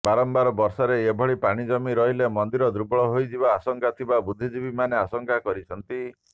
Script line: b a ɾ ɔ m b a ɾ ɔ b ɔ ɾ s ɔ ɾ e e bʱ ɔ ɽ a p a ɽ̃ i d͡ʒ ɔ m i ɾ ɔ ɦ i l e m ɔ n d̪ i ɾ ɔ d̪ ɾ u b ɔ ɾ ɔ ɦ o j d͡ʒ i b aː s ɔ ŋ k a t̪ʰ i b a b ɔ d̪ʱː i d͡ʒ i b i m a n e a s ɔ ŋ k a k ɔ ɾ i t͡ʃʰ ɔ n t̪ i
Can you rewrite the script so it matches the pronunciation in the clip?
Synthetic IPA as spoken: b a ɾ ɔ m b a ɾ ɔ b ɔ ɾ s ɔ ɾ e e bʱ ɔ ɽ i p a ɽ̃ i d͡ʒ ɔ m i ɾ ɔ ɦ i l e m ɔ n d̪ i ɾ ɔ d̪ ɾ u b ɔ ɭ ɔ ɦ o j d͡ʒ i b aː s ɔ ŋ k a t̪ʰ i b a b u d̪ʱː i d͡ʒ i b i m a n e a s ɔ ŋ k a k ɔ ɾ i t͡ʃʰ ɔ n t̪ i